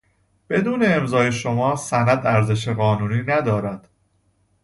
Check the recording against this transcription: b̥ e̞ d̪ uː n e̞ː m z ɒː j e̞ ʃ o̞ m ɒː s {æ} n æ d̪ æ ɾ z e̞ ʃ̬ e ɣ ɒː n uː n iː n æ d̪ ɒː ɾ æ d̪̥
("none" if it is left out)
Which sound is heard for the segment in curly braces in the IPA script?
æ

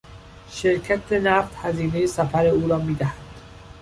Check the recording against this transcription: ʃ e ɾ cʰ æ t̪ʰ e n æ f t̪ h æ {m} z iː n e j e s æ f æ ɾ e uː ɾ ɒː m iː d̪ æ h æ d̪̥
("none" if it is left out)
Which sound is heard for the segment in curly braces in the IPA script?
none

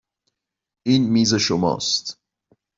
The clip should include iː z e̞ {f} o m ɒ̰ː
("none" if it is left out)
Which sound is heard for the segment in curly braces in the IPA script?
ʃ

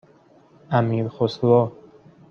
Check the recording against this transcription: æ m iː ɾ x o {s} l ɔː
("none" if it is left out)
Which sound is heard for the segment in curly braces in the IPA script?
s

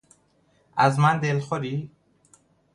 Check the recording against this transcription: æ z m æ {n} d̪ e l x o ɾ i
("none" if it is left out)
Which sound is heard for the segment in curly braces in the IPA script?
n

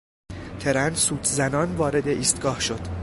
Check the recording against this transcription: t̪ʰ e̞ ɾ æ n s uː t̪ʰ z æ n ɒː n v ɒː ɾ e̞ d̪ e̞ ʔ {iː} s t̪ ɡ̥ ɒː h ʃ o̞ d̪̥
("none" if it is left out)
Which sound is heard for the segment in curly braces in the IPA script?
iː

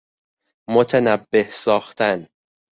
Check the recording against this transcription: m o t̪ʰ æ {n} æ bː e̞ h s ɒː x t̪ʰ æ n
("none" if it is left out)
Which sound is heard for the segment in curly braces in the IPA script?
n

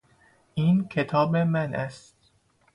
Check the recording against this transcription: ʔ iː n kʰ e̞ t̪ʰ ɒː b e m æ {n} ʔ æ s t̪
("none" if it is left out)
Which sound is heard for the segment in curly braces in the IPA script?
n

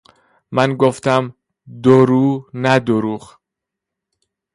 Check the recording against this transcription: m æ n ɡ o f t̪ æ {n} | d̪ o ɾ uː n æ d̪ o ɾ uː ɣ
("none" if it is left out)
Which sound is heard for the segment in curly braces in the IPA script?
m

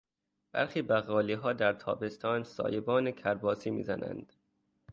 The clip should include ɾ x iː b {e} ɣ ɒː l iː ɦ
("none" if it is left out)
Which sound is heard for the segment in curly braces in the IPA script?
æ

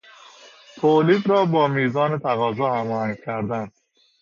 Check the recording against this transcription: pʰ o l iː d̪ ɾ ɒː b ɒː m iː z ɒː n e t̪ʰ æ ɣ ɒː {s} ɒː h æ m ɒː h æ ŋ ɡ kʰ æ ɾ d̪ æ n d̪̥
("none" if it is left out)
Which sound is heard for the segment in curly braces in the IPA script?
z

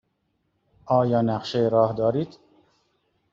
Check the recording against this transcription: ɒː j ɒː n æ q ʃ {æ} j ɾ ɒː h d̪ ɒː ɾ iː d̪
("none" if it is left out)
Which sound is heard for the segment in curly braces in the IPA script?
e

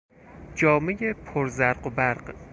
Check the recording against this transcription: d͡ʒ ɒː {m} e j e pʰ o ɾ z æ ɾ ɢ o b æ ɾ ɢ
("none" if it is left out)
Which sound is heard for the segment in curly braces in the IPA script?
m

